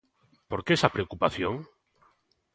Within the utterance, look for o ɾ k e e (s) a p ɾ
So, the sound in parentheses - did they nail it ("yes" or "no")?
yes